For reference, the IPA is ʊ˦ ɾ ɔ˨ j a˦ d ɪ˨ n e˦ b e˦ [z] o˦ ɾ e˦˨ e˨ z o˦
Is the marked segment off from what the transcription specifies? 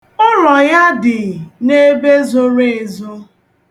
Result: no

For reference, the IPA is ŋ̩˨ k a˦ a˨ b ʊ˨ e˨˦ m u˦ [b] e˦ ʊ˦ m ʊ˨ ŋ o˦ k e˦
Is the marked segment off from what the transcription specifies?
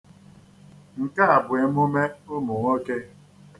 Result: yes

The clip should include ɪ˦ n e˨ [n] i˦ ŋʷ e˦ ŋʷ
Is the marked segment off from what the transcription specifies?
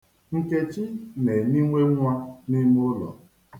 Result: no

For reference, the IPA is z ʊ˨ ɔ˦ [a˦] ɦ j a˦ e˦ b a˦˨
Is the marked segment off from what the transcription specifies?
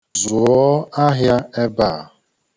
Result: no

